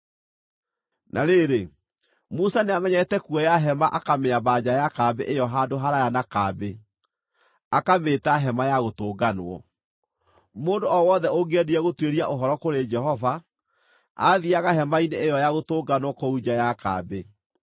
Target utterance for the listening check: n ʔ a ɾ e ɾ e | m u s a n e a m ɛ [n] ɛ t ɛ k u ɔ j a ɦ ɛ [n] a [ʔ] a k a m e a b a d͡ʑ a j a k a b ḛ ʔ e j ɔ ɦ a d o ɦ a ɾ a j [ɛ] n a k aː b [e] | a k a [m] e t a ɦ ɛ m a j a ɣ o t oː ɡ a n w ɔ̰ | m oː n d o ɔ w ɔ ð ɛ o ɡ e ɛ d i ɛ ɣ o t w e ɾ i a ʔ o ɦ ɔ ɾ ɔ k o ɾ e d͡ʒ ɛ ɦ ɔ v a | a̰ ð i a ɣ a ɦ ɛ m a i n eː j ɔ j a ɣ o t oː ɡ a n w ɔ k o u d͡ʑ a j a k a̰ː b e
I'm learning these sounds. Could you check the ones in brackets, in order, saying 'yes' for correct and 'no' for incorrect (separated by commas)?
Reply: no, no, yes, no, yes, yes